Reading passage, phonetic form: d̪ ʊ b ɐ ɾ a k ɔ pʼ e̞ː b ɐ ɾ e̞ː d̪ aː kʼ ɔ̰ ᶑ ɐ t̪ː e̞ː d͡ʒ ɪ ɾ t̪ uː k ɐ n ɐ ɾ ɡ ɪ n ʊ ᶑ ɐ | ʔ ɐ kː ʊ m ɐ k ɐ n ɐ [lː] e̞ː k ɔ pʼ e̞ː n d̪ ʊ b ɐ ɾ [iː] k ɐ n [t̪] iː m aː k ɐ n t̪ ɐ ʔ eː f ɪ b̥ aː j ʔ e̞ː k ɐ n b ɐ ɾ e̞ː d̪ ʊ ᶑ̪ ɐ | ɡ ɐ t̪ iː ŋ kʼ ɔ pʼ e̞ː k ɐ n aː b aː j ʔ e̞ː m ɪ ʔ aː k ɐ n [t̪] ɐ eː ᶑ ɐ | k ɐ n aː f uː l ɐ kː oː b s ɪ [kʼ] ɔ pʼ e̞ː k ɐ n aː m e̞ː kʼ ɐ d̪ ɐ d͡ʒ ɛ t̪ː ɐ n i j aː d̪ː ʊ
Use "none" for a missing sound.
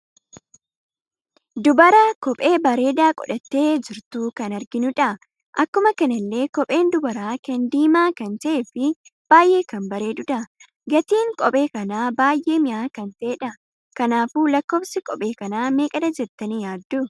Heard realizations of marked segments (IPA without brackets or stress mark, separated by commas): lː, aː, d̪, t̪, kʼ